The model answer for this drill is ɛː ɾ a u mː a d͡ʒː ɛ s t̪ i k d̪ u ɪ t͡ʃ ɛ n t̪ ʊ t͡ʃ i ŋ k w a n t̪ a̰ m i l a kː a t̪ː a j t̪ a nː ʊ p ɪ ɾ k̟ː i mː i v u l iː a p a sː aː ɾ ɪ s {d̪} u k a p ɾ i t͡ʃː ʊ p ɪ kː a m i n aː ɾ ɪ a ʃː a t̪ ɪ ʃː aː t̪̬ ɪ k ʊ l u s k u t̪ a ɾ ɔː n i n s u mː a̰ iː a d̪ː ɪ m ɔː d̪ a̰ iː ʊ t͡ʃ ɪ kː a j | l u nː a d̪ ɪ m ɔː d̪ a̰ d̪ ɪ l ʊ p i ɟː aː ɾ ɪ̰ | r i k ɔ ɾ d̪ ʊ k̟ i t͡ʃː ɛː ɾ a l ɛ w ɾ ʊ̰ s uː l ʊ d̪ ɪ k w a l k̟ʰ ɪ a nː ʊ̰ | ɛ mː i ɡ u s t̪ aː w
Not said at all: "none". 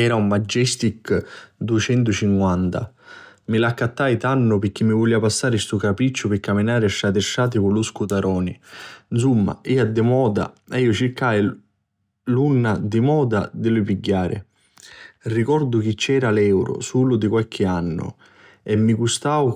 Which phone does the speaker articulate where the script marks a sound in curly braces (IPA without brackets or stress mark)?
t̪